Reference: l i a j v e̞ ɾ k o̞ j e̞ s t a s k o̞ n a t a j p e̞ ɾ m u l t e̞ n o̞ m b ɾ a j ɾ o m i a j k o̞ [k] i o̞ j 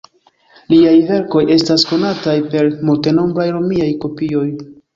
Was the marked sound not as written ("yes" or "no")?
yes